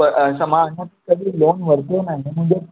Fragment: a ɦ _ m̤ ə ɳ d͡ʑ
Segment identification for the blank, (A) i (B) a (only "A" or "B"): A